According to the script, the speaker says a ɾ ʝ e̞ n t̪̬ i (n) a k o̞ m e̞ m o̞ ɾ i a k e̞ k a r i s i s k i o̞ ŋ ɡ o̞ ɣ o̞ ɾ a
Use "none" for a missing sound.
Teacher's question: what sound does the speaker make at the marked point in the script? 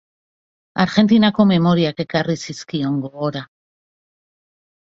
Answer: n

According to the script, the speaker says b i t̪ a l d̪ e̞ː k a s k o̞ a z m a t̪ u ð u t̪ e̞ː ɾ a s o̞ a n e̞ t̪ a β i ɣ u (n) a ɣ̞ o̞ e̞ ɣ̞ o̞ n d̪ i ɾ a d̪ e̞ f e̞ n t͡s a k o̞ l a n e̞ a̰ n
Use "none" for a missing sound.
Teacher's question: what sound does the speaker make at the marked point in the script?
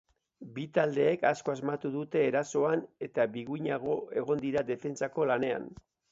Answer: ɲ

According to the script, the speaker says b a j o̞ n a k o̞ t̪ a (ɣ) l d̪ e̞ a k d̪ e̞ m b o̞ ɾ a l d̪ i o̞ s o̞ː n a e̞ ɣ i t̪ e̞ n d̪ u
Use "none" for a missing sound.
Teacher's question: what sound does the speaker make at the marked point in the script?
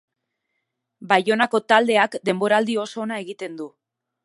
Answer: none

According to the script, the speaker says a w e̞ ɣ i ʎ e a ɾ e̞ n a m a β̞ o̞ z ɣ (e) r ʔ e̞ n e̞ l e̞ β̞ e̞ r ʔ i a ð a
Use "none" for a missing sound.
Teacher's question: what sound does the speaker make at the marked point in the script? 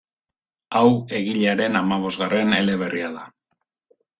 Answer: a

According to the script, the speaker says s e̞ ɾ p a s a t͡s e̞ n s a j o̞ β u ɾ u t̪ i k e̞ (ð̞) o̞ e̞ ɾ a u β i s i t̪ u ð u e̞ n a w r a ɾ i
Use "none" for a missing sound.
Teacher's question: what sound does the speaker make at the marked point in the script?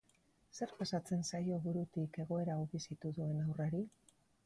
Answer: ɣ̞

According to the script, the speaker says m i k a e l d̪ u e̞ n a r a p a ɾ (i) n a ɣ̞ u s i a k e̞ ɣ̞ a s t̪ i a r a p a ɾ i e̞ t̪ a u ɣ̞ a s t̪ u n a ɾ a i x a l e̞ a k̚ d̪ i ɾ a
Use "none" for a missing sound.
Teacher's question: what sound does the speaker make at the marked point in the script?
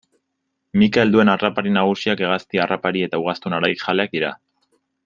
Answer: i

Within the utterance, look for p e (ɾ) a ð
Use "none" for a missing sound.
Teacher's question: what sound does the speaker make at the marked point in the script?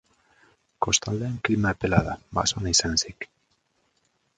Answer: l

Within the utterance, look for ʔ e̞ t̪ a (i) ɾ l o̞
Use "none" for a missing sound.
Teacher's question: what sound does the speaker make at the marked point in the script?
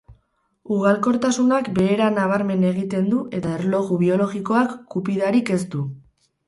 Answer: e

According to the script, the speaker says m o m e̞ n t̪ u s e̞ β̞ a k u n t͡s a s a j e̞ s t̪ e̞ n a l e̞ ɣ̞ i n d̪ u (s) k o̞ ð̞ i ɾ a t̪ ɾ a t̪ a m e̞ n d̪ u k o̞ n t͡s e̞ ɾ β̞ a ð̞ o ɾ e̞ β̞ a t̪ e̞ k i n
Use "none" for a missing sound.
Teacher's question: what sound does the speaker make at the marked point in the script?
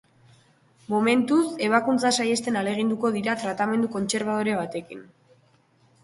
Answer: none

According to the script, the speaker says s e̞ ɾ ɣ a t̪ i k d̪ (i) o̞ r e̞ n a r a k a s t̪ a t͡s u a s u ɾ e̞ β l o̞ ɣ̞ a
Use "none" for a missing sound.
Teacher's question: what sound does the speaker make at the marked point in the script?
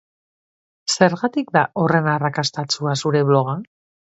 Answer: a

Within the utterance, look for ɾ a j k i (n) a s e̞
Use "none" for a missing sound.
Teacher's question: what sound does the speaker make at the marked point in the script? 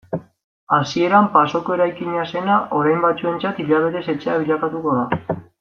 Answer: ɲ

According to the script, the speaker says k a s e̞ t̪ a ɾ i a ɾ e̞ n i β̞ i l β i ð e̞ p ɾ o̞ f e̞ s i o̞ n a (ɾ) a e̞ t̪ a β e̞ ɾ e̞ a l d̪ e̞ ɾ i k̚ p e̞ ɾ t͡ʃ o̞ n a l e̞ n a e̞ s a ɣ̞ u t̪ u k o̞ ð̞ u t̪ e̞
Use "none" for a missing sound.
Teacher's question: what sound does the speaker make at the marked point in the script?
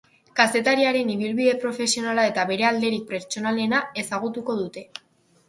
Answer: l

